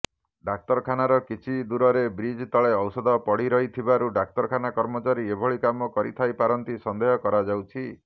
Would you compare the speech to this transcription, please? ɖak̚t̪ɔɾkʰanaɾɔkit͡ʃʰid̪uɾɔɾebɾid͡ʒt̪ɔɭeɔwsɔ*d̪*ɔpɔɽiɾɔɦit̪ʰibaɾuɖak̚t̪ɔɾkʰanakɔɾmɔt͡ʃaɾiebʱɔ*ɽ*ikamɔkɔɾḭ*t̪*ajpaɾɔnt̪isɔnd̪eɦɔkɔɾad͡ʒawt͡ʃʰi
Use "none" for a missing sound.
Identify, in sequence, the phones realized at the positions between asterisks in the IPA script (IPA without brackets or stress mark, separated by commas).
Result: d̪, ɭ, t̪ʰ